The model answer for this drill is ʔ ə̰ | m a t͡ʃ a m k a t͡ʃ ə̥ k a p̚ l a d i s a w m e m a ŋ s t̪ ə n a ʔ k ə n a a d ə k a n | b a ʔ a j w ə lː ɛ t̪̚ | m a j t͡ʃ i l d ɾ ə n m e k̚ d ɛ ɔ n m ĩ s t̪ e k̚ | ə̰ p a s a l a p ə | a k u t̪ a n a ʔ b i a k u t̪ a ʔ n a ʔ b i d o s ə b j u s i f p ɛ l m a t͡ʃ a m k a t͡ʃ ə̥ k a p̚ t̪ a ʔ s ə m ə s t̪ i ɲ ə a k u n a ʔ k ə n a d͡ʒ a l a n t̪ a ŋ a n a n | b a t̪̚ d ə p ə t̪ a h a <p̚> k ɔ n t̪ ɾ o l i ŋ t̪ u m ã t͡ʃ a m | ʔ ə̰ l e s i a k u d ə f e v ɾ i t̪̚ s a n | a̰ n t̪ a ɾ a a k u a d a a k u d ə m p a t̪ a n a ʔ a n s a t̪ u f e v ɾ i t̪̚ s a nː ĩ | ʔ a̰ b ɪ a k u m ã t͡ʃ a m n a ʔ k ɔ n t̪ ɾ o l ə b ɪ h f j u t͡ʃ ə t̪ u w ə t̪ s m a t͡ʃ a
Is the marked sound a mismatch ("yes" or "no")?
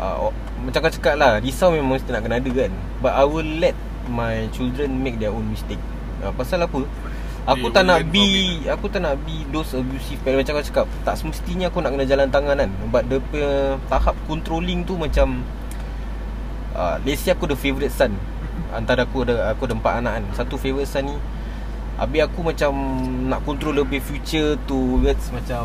no